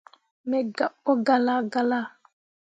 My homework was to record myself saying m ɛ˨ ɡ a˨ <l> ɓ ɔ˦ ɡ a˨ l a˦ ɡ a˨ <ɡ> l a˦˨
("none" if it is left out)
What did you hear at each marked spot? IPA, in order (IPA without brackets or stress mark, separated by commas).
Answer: none, none